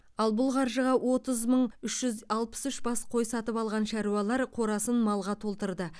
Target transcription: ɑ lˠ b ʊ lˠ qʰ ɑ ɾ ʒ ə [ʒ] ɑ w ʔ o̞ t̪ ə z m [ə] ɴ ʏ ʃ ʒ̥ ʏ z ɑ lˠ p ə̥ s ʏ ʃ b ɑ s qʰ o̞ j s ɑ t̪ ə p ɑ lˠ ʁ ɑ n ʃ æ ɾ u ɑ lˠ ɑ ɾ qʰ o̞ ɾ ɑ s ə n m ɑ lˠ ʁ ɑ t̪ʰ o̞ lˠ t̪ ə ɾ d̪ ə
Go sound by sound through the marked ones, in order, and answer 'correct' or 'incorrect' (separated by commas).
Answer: incorrect, correct